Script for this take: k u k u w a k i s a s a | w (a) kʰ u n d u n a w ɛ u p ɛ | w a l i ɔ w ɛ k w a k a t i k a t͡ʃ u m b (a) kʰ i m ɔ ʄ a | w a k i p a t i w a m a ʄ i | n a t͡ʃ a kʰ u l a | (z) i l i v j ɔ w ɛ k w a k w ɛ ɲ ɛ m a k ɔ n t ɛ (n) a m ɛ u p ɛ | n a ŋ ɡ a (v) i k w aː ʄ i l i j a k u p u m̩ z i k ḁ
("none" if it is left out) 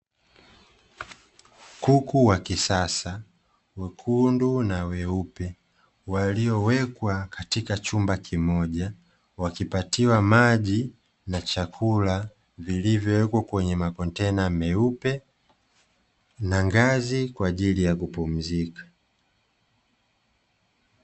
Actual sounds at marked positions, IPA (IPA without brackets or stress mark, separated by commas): ɛ, a, v, n, z